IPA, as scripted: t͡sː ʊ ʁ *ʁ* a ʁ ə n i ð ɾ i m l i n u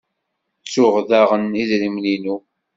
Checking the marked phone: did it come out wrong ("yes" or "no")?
yes